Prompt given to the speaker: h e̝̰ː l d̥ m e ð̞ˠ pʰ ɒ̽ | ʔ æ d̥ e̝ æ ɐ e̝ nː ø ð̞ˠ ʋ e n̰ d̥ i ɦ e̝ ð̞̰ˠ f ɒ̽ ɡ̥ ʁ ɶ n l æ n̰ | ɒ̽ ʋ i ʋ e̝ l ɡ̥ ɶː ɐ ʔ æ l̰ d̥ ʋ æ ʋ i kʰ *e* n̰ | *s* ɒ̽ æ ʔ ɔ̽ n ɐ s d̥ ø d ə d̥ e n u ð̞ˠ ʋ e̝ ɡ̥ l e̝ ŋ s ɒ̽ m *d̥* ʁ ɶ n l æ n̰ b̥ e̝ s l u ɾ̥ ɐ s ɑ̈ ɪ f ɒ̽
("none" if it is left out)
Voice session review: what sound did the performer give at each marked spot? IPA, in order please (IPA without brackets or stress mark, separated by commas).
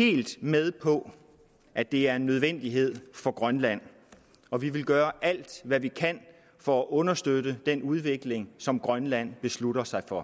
æ, f, ɡ̥